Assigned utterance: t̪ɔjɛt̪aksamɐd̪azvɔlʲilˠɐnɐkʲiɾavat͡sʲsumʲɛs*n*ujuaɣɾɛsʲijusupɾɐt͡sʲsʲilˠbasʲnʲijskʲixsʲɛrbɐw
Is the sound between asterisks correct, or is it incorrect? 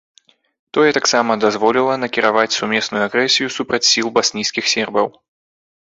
correct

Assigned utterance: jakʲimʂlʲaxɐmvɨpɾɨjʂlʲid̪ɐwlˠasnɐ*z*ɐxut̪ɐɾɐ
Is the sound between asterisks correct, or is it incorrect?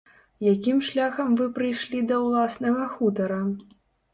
incorrect: ɣ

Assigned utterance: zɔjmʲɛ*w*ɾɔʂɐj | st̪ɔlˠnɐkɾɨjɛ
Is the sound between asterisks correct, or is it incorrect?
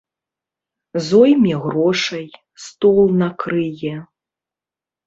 incorrect: ɣ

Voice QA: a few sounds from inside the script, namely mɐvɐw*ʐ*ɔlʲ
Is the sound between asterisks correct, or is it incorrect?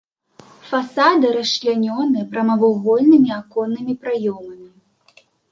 incorrect: ɣ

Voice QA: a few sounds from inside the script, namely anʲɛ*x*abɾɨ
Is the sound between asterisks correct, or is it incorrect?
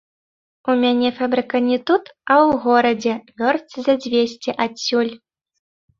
incorrect: f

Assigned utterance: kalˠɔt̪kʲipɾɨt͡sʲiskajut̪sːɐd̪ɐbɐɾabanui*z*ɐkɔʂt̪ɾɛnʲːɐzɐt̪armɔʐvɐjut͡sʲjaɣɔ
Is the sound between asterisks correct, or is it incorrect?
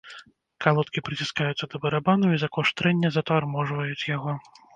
correct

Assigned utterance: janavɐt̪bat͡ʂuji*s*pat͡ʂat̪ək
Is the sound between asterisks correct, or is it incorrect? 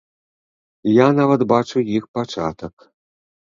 incorrect: x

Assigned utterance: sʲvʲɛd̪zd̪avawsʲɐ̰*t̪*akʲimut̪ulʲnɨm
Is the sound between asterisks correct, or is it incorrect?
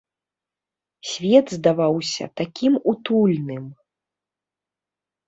correct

